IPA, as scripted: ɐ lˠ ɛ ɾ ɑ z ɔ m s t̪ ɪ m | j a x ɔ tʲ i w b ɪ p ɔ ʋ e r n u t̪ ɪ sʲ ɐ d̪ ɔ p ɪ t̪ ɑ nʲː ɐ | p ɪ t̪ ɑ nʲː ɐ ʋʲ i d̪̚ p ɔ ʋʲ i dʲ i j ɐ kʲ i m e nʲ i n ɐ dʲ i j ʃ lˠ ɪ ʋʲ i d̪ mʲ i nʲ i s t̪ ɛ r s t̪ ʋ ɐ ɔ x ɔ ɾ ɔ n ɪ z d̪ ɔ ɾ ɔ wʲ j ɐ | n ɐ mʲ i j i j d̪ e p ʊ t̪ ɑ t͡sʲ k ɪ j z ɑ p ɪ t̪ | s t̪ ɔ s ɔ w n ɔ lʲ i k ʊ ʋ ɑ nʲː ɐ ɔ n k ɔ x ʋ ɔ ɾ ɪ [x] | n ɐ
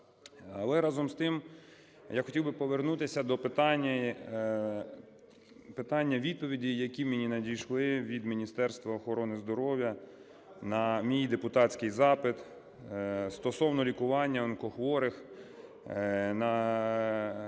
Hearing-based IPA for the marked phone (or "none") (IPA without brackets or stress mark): x